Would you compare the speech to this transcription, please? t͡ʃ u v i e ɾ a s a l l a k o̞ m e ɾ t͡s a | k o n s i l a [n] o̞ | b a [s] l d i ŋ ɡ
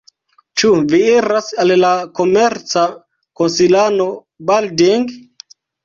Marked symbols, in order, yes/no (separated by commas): yes, no